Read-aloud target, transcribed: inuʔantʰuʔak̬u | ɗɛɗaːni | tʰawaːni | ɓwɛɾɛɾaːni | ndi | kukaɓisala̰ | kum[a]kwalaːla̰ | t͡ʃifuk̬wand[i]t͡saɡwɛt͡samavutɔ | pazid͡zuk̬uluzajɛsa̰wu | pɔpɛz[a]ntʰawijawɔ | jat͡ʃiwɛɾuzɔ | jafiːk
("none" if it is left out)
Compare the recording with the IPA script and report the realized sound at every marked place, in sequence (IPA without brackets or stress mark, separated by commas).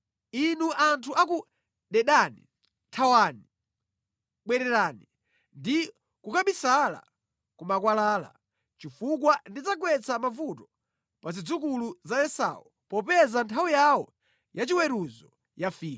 a, i, a